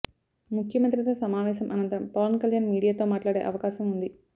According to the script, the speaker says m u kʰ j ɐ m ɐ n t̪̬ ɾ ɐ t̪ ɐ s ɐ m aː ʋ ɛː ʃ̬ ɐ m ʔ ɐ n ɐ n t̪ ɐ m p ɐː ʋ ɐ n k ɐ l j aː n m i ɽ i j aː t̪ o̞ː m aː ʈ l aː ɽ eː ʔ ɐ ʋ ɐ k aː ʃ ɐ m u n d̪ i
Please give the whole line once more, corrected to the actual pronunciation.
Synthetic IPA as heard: m u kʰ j ɐ m ɐ n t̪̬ ɾ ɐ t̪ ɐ s ɐ m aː ʋ ɛː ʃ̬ ɐ m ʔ ɐ n ɐ n t̪ ɐ m p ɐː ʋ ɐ n k ɐ l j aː n m iː ɽ i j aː t̪ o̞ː m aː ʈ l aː ɽ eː ʔ ɐ ʋ ɐ k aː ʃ ɐ m u n d̪ i